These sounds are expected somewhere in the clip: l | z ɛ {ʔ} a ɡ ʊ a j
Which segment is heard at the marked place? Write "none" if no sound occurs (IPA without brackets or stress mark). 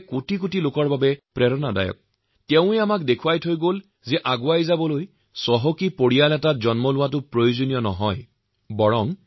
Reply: ʔ